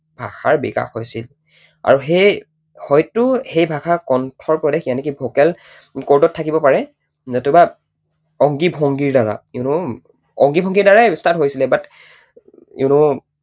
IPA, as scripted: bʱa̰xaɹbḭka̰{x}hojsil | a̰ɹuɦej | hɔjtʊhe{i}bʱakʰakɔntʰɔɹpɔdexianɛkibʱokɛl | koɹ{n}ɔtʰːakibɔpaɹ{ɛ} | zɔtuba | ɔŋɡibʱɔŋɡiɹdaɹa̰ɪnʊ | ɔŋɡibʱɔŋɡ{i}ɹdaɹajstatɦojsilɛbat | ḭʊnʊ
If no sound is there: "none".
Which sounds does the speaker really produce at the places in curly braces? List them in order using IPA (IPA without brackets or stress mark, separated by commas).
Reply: x, j, d, ɛ, i